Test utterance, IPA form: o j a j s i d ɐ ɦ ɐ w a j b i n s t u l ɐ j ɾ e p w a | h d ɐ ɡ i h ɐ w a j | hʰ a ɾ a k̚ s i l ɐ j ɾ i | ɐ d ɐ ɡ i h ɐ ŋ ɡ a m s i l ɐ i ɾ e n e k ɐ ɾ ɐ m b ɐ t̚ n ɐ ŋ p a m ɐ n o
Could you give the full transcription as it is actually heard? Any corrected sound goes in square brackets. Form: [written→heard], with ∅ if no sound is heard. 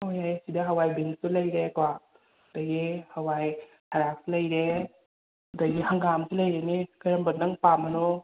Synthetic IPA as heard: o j a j s i d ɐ ɦ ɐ w a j b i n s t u l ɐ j ɾ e [p→k] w a | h d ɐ ɡ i h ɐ w a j | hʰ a ɾ a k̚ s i l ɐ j ɾ [i→e] | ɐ d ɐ ɡ i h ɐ ŋ ɡ a m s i l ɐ [i→j] ɾ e n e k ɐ ɾ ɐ m b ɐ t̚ n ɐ ŋ p a m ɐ n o

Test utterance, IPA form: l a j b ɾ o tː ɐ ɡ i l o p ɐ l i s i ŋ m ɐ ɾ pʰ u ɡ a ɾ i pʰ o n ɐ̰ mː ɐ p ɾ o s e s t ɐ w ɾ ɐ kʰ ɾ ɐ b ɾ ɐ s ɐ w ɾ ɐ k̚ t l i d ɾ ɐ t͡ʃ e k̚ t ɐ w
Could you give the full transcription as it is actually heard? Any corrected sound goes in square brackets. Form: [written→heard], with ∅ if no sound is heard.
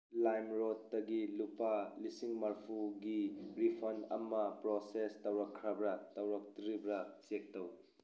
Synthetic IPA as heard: l a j [b→m] ɾ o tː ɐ ɡ i l [o→u] p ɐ l i s i ŋ m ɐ ɾ pʰ u ɡ [a→i] ɾ i pʰ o n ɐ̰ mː ɐ p ɾ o s e s t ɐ w ɾ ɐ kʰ ɾ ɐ b ɾ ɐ [s→t] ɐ w ɾ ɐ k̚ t [l→ɾ] i [d→b] ɾ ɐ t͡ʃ e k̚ t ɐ w

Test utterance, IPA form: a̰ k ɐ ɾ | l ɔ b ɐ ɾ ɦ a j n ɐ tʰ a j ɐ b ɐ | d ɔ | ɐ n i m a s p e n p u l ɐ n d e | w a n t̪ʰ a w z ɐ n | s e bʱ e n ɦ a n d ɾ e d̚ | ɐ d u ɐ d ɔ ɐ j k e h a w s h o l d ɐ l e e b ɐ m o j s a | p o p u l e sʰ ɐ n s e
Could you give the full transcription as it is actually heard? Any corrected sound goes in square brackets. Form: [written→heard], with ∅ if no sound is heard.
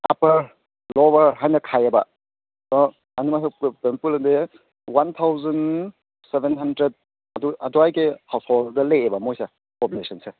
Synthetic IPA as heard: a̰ [k→p] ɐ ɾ | l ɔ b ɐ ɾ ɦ a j n ɐ [tʰ→kʰ] a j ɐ b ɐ | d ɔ | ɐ n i m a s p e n p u l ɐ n d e | w a n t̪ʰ a w z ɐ n | s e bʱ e n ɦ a n d ɾ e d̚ | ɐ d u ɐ d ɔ [ɐ→a] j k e h a w s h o l d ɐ l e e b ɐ m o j s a | p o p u l e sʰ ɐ n s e

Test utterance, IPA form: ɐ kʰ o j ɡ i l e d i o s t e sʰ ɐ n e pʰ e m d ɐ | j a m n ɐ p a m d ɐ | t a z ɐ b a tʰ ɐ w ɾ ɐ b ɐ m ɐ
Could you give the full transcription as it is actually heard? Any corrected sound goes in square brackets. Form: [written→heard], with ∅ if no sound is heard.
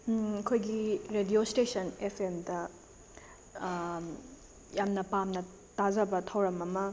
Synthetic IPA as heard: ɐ kʰ o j ɡ i [l→ɾ] e d i o s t e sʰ ɐ n e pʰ e m d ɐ | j a m n ɐ p a m [d→n] ɐ | t a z ɐ b [a→ɐ] tʰ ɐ w ɾ ɐ [b→m] ɐ m ɐ

